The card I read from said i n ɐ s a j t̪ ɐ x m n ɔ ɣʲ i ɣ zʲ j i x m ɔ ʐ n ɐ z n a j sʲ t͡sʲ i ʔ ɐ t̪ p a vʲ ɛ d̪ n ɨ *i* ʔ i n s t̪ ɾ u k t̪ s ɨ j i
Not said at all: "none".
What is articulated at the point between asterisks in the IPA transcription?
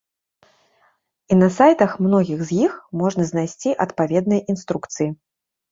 j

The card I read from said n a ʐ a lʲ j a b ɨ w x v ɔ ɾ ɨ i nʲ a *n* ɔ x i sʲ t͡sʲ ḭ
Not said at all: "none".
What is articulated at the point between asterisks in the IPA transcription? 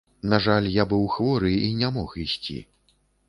m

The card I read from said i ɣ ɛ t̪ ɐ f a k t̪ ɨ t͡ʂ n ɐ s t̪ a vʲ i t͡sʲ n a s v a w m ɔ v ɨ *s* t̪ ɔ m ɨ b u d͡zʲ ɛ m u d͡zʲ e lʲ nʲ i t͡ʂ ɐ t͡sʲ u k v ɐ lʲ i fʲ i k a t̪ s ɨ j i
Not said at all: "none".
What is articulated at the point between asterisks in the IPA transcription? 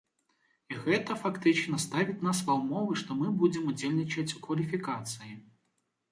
ʂ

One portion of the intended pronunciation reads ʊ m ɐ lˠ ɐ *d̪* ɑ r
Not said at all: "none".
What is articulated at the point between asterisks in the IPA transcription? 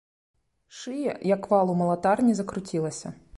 t̪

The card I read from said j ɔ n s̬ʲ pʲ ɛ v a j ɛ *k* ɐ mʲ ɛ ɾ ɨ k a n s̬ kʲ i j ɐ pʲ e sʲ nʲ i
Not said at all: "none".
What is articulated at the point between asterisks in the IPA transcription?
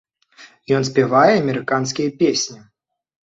none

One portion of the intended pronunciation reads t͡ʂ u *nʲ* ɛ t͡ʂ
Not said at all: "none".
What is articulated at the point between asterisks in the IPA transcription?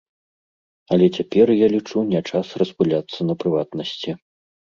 nʲ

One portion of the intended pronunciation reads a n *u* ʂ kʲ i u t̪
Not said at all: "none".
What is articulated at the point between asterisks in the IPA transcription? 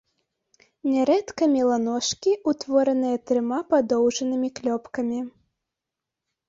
ɔ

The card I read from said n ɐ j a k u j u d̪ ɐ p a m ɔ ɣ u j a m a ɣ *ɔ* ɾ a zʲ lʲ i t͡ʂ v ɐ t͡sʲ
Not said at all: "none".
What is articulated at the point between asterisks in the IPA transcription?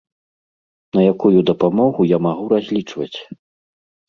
u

